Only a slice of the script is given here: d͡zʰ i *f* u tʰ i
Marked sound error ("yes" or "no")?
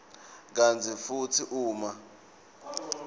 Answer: no